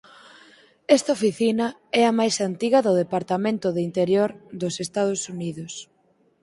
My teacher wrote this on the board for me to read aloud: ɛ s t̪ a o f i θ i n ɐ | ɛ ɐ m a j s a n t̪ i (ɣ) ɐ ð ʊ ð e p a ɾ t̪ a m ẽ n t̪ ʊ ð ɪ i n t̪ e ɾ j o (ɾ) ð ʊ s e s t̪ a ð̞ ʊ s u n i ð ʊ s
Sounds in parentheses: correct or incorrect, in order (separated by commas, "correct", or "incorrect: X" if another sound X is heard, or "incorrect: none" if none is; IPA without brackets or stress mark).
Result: correct, correct